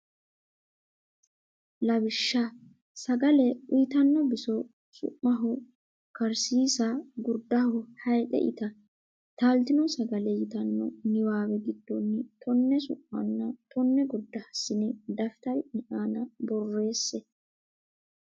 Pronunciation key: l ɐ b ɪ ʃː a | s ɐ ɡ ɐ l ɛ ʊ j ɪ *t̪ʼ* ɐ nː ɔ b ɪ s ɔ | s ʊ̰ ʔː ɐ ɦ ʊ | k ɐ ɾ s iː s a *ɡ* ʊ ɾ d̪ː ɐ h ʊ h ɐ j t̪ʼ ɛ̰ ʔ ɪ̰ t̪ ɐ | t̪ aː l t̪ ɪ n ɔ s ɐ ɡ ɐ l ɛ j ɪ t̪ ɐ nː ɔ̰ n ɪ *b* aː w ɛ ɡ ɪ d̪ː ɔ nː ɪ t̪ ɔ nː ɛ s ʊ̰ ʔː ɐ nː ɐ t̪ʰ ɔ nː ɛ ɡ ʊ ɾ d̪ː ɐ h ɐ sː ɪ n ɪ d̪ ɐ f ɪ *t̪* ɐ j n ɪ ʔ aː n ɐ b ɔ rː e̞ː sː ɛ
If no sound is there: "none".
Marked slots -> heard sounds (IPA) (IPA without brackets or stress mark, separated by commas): t̪, ɡ, w, t̪